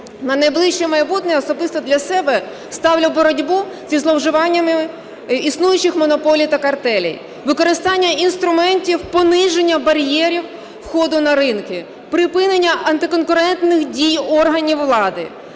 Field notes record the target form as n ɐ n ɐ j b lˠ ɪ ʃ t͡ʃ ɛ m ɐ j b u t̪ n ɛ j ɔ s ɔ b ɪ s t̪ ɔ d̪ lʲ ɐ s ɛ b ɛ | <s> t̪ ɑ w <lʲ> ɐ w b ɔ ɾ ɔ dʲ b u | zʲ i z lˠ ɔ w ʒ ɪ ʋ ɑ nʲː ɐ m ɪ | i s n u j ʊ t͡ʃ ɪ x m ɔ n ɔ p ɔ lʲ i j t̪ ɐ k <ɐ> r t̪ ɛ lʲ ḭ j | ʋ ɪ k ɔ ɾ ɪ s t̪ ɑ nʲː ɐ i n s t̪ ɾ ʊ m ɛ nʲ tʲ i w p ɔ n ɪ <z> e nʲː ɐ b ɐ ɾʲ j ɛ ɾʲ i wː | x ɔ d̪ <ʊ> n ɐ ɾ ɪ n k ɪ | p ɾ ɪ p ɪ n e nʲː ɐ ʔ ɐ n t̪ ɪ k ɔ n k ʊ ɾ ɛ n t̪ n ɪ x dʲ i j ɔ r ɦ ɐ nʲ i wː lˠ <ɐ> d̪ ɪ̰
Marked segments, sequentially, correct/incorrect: correct, correct, correct, incorrect, correct, incorrect

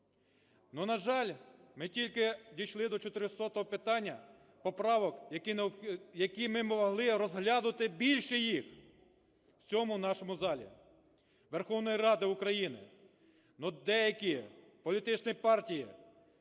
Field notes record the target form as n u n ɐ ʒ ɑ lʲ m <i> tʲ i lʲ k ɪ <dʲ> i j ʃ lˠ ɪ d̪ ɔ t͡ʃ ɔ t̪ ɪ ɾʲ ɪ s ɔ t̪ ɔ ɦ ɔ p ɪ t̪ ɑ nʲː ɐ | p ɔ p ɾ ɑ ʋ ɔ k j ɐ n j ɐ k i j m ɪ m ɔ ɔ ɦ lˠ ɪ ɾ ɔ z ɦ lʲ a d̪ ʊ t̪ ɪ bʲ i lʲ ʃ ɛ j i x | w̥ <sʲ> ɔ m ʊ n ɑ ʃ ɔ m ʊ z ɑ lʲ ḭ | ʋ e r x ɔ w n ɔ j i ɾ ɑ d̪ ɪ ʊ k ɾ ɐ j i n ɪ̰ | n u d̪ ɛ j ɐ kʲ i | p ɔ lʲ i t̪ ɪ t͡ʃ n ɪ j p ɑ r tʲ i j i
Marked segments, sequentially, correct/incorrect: incorrect, correct, incorrect

